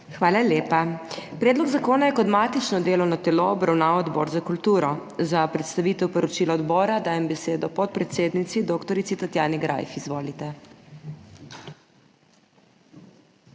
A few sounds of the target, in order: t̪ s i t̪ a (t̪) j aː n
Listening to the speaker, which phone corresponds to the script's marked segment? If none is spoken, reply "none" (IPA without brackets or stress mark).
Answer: t̪